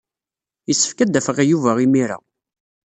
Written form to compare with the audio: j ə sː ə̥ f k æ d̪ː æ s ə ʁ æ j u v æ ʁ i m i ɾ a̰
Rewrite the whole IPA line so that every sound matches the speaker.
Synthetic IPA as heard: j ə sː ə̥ f k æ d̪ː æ f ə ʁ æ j u v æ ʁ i m i ɾ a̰